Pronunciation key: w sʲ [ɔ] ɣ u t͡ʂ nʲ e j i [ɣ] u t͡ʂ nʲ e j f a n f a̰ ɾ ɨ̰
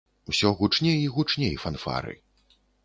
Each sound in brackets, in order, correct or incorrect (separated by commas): correct, correct